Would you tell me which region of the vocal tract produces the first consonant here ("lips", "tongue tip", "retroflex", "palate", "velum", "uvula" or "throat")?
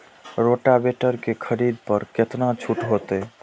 tongue tip